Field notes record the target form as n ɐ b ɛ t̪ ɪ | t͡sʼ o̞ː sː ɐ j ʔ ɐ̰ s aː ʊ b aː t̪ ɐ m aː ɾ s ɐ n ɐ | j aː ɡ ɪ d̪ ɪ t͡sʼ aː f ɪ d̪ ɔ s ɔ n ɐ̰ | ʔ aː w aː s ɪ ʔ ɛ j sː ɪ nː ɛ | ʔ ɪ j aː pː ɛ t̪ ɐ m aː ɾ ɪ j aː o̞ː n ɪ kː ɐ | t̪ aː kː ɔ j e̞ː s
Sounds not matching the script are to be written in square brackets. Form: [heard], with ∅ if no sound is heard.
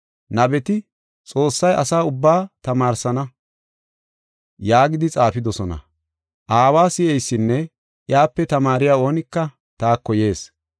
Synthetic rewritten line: n ɐ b ɛ t̪ ɪ | t͡sʼ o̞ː sː ɐ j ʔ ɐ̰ s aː ʊ [bː] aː t̪ ɐ m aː ɾ s ɐ n ɐ | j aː ɡ ɪ d̪ ɪ t͡sʼ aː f ɪ d̪ ɔ s ɔ n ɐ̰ | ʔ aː w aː s ɪ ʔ ɛ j sː ɪ nː ɛ | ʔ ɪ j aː pː ɛ t̪ ɐ m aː ɾ ɪ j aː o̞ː n ɪ kː ɐ | t̪ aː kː ɔ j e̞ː s